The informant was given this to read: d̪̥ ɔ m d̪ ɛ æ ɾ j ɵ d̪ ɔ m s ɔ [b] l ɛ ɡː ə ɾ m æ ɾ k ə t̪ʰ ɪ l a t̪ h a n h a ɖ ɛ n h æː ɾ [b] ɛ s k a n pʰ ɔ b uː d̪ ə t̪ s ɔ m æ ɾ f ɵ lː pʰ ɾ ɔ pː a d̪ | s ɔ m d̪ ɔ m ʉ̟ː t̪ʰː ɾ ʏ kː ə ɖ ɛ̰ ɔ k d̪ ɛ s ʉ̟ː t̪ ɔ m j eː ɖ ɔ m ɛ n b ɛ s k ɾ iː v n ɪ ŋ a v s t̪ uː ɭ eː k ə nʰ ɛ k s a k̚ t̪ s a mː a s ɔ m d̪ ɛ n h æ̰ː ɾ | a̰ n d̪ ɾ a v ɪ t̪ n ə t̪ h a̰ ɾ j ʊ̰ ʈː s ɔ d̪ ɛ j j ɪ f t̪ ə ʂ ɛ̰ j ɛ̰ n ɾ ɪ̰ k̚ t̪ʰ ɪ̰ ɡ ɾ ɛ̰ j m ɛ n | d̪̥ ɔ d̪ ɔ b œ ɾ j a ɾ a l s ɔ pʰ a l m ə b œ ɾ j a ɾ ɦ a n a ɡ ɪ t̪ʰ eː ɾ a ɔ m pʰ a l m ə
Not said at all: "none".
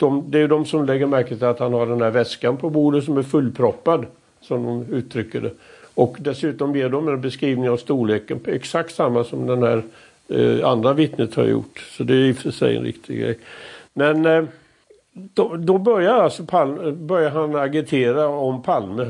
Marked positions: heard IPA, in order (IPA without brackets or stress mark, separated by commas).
m, v